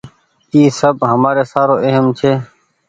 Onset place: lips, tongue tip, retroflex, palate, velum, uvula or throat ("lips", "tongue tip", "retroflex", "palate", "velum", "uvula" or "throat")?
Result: tongue tip